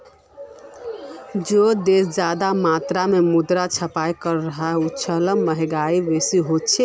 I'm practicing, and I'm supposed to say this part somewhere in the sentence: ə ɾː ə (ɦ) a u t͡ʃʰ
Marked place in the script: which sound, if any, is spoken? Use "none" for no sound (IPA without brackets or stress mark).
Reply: ɦ